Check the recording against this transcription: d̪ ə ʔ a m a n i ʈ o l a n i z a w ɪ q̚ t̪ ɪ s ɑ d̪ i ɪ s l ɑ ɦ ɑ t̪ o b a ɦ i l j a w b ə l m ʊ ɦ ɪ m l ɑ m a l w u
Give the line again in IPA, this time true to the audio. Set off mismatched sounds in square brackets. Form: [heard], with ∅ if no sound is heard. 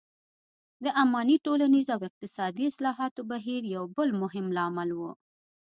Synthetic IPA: d̪ ə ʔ a m [ɑ] n i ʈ o l a n i z a w ɪ q̚ t̪ ɪ s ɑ d̪ i ɪ s l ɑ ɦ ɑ t̪ o b a ɦ i [ɾ] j a w b ə l m ʊ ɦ ɪ m l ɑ m a l w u